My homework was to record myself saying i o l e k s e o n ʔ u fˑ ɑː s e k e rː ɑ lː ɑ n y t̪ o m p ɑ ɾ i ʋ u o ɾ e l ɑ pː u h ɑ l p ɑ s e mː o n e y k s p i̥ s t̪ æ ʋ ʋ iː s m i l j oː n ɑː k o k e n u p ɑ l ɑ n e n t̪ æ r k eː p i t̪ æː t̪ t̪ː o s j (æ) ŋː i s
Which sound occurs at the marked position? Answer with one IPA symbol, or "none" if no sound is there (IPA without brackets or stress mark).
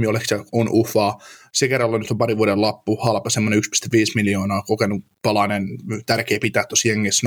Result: e